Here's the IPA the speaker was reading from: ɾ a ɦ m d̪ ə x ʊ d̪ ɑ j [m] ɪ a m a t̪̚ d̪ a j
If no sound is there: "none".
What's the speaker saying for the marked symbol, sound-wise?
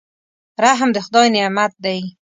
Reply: n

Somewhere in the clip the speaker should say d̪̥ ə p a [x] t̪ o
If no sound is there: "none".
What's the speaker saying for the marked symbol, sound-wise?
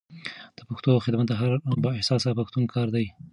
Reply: x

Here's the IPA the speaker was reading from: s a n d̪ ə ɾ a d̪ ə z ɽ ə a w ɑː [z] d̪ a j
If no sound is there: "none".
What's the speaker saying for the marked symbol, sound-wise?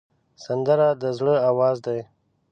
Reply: z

